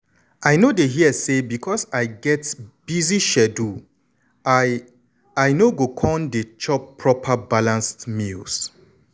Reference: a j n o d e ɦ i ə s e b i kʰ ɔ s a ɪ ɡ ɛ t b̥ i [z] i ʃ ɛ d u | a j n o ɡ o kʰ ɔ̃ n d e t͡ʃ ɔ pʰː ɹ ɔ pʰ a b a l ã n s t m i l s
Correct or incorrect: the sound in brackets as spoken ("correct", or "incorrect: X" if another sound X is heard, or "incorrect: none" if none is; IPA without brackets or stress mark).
correct